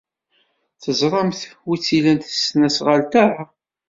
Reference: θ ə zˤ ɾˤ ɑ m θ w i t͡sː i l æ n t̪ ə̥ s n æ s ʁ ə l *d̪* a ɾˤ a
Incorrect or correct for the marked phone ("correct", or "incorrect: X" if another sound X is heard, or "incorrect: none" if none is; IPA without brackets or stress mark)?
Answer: incorrect: t̪